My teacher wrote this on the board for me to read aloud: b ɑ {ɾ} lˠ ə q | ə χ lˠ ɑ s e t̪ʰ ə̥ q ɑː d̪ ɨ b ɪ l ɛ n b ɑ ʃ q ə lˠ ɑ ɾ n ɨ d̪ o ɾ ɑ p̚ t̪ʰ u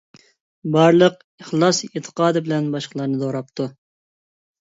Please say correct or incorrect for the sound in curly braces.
correct